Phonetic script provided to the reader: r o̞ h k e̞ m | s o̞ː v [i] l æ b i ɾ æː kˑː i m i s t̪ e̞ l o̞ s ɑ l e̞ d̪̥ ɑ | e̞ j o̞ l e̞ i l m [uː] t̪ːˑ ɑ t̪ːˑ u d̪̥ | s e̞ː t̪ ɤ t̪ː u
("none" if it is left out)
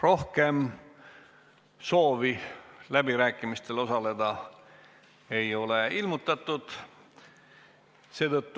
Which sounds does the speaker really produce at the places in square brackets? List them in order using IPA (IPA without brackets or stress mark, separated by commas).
i, u